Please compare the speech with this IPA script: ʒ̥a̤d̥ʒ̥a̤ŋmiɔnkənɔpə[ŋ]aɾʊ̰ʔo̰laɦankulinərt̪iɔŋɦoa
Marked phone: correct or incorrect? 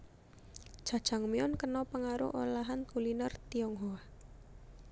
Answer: correct